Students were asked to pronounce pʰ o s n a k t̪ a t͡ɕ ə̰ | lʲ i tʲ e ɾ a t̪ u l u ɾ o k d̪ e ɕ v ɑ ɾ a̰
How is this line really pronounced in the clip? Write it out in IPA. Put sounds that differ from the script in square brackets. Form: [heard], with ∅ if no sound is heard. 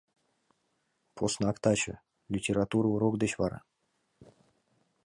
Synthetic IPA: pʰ o s n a k t̪ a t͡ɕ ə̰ | lʲ i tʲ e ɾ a t̪ u [ɾ] u ɾ o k d̪ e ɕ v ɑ ɾ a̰